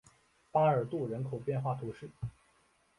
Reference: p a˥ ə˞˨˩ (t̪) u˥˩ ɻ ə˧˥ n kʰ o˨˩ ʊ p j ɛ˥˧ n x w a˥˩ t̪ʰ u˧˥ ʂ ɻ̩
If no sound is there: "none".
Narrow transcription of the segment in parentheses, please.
t̪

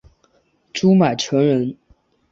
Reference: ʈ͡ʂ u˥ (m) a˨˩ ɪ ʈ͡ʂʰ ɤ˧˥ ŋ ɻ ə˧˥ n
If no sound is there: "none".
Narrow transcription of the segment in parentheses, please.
m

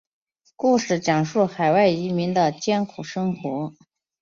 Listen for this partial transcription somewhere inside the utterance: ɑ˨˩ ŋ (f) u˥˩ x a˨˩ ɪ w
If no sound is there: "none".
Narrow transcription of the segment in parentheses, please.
ʂ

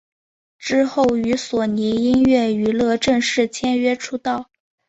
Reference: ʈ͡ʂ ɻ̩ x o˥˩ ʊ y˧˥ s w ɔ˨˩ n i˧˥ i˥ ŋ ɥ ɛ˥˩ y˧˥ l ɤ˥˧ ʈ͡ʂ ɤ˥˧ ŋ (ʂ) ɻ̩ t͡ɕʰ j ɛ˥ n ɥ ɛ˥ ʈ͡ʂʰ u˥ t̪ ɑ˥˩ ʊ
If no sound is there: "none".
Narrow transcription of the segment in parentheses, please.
ʂ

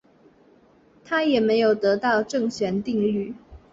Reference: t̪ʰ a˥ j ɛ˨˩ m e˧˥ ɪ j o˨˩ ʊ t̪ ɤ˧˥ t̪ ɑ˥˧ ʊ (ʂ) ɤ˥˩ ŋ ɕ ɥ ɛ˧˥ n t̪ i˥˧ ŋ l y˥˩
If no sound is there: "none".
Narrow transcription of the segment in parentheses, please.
ʈ͡ʂ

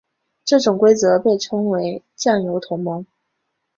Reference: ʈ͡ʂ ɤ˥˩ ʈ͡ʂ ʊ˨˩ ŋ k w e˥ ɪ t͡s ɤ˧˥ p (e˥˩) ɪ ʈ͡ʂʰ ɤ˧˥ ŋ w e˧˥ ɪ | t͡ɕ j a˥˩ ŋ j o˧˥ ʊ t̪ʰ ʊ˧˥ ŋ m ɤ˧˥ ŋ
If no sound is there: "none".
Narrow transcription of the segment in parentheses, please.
e˥˩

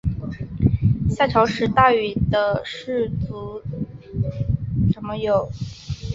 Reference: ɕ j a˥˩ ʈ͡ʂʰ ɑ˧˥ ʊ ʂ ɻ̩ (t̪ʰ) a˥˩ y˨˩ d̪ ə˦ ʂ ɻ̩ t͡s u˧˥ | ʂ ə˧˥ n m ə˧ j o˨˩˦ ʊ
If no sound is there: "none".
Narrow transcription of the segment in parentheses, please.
t̪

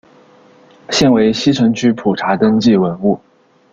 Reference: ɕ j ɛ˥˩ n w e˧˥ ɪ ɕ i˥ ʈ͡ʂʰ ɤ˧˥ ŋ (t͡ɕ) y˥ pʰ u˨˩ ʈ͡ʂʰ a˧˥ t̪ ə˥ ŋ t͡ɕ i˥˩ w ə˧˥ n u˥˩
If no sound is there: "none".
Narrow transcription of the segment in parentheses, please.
t͡ɕʰ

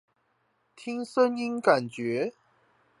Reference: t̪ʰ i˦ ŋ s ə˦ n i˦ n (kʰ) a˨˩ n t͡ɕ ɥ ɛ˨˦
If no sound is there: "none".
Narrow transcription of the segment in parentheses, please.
k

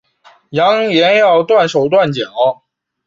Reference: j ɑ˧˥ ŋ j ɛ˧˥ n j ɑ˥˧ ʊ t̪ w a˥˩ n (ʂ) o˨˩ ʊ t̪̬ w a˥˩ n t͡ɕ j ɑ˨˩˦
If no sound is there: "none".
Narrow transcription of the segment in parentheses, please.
ʂ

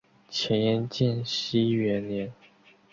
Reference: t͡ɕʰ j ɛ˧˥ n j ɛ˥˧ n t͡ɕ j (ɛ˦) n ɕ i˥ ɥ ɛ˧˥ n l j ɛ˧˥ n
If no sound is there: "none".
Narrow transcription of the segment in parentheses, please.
ɛ˥˩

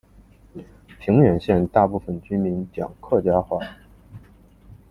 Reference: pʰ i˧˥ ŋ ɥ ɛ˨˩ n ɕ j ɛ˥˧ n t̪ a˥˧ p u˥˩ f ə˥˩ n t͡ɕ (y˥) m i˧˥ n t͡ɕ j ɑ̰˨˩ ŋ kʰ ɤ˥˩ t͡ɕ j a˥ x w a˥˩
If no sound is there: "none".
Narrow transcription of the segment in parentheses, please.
y˥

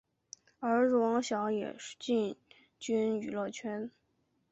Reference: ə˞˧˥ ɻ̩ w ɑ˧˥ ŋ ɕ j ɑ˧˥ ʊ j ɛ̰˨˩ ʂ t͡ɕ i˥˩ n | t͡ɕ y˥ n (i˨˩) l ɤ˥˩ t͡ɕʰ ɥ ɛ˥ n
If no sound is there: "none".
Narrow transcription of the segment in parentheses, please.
y˨˩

